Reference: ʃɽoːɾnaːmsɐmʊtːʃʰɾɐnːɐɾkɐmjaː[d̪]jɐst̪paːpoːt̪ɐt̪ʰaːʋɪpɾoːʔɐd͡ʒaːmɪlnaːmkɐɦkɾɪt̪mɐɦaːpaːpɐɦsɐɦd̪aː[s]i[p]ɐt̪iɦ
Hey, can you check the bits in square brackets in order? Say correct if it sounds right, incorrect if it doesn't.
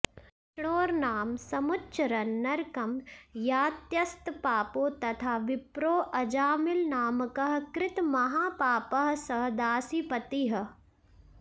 incorrect: t̪, correct, correct

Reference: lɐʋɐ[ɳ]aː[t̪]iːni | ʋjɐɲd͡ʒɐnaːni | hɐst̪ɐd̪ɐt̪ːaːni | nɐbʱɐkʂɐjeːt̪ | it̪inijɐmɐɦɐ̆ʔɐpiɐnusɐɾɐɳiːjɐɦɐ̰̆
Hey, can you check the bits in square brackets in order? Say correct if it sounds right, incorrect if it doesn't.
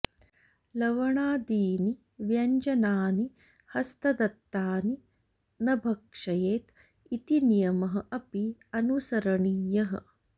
correct, incorrect: d̪

